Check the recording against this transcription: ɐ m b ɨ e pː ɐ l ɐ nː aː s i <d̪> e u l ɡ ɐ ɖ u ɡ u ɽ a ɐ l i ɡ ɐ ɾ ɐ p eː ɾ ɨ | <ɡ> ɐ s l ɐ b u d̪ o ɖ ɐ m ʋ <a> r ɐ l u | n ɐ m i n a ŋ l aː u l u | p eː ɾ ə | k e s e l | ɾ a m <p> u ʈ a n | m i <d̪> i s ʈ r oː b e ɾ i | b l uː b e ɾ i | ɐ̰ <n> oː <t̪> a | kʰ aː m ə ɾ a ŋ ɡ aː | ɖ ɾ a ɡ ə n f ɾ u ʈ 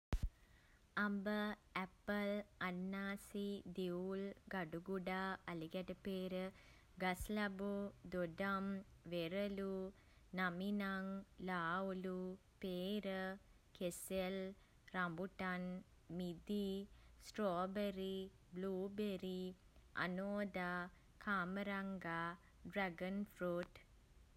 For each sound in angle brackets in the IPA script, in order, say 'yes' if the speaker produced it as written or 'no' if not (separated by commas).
yes, yes, no, no, yes, yes, no